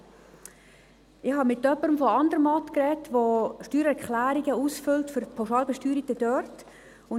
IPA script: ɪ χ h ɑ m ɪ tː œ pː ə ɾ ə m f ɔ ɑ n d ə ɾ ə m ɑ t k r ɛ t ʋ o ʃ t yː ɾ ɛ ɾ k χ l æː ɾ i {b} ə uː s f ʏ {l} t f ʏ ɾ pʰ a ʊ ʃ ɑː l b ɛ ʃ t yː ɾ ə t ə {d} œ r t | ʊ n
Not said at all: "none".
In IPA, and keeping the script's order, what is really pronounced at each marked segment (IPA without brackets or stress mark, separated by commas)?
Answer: ɡ, l, d